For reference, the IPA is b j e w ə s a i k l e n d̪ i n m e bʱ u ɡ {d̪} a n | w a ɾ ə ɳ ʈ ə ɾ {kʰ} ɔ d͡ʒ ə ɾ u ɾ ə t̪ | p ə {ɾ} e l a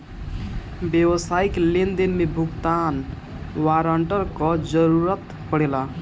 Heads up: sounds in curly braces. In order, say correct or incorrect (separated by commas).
incorrect, incorrect, incorrect